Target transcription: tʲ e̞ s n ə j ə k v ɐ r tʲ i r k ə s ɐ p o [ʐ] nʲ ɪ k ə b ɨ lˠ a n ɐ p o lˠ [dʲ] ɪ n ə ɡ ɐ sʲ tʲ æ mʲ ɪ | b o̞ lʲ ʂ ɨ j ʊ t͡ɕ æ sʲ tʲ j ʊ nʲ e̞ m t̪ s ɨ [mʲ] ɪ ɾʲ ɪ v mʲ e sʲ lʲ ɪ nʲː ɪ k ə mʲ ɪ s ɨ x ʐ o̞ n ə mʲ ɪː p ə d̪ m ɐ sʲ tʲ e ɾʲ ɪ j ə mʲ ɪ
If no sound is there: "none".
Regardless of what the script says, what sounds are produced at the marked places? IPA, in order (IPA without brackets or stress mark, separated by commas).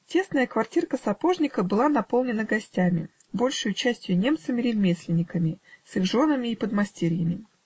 ʐ, nʲ, mʲ